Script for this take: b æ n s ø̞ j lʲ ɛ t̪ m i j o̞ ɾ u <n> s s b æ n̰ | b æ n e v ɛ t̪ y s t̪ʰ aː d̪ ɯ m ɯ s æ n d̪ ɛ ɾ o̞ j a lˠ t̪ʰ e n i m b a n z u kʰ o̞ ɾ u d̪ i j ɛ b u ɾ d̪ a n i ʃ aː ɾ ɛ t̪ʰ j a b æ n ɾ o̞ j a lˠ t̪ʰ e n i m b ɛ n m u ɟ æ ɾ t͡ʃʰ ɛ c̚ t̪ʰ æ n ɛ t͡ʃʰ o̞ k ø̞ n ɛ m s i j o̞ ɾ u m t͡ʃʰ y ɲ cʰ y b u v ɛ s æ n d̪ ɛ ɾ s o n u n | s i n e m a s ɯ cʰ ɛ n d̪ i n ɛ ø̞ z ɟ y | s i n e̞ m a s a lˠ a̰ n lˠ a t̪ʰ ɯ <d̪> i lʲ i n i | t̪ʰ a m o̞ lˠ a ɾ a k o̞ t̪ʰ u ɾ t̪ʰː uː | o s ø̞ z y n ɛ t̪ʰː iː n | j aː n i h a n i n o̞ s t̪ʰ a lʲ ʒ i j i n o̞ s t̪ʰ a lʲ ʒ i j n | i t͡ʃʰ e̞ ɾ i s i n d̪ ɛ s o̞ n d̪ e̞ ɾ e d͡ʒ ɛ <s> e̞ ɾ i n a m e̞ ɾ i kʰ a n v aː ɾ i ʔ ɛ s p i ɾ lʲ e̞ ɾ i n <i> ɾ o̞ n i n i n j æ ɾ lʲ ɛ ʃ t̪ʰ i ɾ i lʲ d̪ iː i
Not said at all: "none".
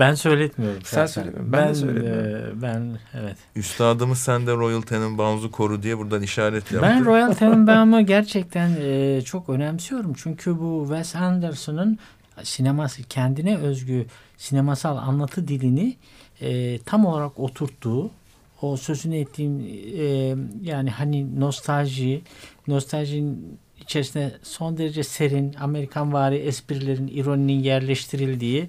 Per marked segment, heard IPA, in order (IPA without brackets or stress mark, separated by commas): m, d̪, s, i